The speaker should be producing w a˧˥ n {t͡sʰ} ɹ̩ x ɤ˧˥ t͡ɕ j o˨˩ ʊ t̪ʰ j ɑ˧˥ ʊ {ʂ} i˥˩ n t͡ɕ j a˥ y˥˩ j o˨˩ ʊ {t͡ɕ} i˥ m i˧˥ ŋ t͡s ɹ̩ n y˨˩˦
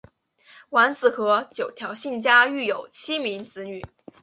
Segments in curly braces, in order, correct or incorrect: incorrect: t͡s, incorrect: ɕ, incorrect: t͡ɕʰ

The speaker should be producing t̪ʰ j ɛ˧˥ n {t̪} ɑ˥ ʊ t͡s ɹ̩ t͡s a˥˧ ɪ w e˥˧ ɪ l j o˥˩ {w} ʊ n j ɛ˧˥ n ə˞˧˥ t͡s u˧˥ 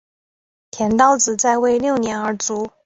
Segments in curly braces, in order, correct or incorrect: correct, incorrect: none

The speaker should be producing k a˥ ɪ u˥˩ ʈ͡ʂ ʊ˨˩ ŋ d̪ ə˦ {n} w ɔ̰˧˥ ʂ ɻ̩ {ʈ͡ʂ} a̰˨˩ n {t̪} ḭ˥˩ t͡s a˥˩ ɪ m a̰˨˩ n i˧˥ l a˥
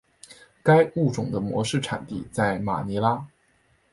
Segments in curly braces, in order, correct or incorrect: incorrect: m, incorrect: ʈ͡ʂʰ, correct

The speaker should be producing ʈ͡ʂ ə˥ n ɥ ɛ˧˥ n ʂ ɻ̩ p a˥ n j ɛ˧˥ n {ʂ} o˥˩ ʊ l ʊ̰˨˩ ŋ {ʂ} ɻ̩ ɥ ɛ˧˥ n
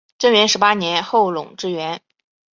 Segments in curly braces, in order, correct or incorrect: incorrect: x, incorrect: ʈ͡ʂ

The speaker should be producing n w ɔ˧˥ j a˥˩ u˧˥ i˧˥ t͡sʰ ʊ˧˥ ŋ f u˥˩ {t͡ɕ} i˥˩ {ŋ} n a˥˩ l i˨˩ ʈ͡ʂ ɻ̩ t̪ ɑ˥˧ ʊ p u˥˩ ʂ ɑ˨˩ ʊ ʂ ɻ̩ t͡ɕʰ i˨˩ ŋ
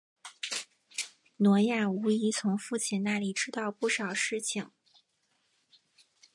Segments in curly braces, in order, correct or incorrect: incorrect: t͡ɕʰ, incorrect: n

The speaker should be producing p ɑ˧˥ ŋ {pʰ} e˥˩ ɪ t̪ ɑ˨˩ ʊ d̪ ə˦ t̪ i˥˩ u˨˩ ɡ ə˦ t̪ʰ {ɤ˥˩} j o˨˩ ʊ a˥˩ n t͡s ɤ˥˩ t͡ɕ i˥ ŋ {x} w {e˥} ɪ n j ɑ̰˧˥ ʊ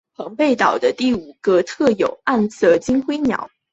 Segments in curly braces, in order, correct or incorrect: incorrect: p, correct, correct, correct

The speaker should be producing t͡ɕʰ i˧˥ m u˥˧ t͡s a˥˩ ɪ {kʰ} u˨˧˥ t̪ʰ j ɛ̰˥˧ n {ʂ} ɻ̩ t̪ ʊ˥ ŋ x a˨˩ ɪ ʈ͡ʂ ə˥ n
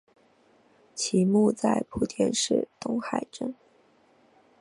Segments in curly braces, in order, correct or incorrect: incorrect: pʰ, correct

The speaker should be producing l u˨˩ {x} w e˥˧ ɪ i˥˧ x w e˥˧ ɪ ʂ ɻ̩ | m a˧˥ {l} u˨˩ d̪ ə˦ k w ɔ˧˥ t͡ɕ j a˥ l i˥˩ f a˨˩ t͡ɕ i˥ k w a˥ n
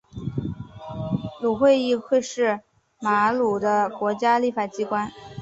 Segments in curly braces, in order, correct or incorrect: correct, correct

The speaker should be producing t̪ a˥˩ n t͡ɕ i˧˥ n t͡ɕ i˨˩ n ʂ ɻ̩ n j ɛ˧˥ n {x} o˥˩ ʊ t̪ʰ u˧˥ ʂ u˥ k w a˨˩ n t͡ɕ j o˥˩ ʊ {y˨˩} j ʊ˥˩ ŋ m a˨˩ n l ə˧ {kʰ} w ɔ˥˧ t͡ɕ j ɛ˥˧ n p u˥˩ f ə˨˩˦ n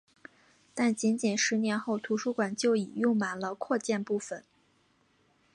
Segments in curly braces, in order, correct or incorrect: correct, incorrect: i˨˩, correct

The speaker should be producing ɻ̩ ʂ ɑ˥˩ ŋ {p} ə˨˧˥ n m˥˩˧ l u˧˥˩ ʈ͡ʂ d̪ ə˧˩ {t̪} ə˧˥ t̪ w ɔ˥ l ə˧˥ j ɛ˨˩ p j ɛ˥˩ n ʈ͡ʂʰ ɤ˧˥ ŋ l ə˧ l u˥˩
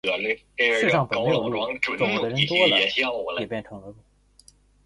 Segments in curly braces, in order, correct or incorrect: correct, incorrect: none

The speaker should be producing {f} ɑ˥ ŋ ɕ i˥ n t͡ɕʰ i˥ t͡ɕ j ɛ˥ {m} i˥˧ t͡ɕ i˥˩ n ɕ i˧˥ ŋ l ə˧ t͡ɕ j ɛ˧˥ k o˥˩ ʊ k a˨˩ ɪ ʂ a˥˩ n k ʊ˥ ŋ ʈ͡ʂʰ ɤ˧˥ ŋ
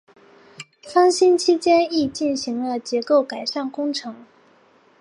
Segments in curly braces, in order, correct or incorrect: correct, incorrect: n

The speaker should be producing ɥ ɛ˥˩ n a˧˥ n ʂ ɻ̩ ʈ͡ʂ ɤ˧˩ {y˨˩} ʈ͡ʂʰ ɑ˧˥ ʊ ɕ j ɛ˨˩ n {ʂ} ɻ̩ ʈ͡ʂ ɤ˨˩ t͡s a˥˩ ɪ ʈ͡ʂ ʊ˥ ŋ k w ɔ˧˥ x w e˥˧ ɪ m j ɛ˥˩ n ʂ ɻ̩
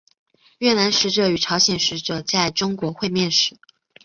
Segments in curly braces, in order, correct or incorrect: correct, correct

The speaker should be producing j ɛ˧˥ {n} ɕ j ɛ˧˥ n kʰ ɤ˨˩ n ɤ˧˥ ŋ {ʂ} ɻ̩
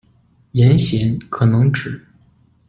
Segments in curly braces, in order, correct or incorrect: correct, incorrect: ʈ͡ʂ

